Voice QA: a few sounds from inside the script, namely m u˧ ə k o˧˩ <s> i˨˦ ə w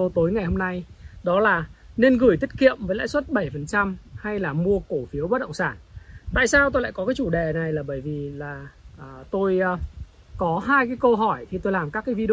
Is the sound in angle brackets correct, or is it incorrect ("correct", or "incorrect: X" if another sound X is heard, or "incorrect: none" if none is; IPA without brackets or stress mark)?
incorrect: f